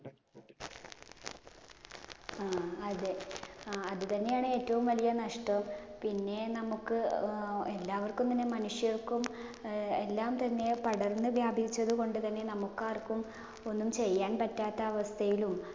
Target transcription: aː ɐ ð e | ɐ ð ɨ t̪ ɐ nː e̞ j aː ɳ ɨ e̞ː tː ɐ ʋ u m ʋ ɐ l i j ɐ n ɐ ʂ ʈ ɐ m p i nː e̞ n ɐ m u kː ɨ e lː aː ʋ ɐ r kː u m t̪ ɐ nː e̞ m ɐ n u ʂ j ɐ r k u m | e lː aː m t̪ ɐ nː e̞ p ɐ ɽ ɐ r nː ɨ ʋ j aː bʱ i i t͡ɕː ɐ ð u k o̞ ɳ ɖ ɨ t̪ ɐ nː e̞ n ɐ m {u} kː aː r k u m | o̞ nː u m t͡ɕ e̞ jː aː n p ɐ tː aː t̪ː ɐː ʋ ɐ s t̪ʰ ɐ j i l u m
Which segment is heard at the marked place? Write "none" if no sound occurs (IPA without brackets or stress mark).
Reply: u